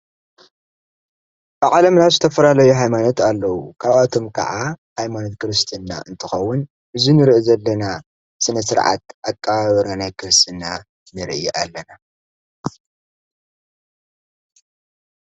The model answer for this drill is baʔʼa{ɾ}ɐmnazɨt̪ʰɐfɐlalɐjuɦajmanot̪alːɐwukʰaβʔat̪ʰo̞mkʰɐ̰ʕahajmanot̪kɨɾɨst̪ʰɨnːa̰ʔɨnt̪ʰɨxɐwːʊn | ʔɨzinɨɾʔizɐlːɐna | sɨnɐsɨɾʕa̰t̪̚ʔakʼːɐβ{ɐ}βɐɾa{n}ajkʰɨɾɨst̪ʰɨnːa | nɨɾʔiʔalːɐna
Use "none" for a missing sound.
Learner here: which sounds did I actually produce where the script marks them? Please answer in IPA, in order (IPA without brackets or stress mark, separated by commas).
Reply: l, a, n